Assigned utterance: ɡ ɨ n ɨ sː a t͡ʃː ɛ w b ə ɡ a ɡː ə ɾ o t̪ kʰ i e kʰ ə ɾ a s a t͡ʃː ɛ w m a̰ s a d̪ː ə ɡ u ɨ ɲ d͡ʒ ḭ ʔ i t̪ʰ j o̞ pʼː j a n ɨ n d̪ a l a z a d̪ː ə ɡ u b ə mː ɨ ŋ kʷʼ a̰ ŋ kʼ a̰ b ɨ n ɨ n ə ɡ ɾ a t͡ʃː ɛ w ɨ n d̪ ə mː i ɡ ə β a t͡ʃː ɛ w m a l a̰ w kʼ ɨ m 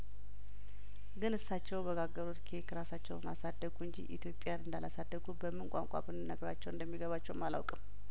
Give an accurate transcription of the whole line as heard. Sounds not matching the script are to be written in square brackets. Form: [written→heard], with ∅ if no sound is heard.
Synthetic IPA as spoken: ɡ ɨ n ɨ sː a t͡ʃː ɛ w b ə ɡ a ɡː ə ɾ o t̪ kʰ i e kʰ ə ɾ a s a t͡ʃː ɛ w m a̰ s a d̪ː ə ɡ u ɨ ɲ d͡ʒ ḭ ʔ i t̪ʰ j o̞ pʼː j a n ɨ n d̪ a l a [z→s] a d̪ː ə ɡ u b ə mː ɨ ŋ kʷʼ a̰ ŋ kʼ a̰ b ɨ n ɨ n ə ɡ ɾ a t͡ʃː ɛ w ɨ n d̪ ə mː i ɡ ə β a t͡ʃː ɛ w m a l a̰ w kʼ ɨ m